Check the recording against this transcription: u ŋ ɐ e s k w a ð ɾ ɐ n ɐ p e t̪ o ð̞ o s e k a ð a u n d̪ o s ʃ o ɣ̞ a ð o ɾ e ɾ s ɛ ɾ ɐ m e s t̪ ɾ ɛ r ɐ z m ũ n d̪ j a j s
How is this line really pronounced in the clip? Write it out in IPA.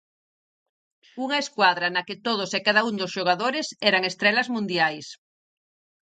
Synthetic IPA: u ŋ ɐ e s k w a ð ɾ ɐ n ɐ k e t̪ o ð̞ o s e k a ð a u n d̪ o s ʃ o ɣ̞ a ð o ɾ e s ɛ ɾ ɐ ŋ e s t̪ ɾ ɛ l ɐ z m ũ n d̪ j a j s